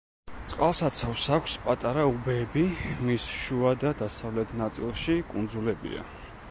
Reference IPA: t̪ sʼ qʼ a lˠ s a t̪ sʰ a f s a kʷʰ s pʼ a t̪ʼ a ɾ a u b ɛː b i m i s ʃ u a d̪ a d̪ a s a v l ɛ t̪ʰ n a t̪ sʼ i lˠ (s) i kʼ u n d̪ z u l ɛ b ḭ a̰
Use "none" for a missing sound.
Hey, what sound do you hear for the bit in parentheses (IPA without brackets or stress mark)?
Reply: ʃ